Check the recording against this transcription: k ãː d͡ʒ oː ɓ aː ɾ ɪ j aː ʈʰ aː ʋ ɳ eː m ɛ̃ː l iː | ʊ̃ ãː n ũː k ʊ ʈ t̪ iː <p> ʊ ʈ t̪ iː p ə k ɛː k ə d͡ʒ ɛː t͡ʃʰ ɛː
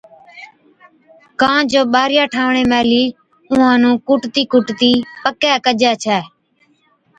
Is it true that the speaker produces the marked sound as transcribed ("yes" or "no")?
no